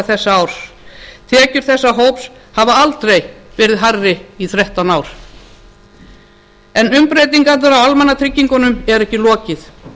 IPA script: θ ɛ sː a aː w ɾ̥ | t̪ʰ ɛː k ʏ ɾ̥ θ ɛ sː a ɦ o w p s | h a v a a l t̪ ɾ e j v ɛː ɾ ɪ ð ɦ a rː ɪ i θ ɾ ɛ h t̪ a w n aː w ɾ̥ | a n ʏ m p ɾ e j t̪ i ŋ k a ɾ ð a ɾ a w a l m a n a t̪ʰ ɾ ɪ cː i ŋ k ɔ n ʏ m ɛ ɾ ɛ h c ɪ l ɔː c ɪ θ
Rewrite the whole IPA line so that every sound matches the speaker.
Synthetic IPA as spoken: θ ɛ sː a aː w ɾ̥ | t̪ʰ ɛː c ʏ ɾ̥ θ ɛ sː a ɦ o w p s | h a v a a l t̪ ɾ e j v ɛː ɾ ɪ ð ɦ a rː ɪ i θ ɾ ɛ h t̪ a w n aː w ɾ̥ | ɛ n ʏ m p ɾ e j t̪ i ŋ k a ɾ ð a ɾ a w a l m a n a t̪ʰ ɾ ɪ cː i ŋ k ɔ n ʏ m ɛ ɾ ɛ h c ɪ l ɔː c ɪ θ